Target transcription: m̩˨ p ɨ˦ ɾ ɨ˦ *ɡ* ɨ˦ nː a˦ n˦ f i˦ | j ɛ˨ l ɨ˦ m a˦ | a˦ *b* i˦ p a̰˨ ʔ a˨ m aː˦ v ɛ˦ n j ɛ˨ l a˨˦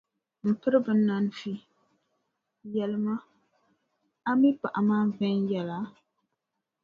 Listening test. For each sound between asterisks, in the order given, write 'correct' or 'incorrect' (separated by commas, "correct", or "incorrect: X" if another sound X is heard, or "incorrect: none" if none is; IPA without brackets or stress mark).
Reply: incorrect: b, incorrect: m